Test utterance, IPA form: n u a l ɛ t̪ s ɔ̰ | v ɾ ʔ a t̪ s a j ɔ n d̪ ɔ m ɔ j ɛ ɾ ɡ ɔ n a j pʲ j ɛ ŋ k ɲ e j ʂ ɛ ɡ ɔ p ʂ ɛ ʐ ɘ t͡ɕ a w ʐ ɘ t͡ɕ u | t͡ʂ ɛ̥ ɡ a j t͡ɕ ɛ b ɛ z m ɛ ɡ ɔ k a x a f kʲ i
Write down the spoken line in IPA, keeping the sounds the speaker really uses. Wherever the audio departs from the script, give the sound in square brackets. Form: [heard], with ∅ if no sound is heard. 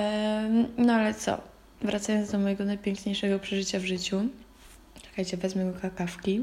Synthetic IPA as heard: n [ɔ] a l ɛ t̪ s ɔ̰ | v ɾ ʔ a t̪ s a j ɔ n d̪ ɔ m ɔ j ɛ [∅] ɡ ɔ n a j pʲ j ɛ ŋ k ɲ e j ʂ ɛ ɡ ɔ p ʂ ɛ ʐ ɘ t͡ɕ a [v] ʐ ɘ t͡ɕ u | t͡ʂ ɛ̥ [k] a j t͡ɕ ɛ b ɛ z m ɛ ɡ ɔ k a [k] a f kʲ i